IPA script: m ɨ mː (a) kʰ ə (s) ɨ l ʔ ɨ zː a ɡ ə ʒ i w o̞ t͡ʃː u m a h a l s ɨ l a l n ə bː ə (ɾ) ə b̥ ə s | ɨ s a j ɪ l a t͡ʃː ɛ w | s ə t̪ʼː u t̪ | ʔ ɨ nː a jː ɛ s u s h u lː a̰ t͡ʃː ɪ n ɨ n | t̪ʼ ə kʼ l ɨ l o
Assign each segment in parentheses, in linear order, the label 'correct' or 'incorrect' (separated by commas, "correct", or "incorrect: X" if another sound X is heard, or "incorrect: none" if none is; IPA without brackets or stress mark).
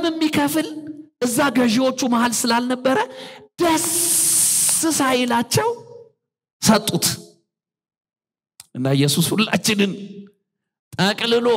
incorrect: i, incorrect: f, correct